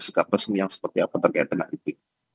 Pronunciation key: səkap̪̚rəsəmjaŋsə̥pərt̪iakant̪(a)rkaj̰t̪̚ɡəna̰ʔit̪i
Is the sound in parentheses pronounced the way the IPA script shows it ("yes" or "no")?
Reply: no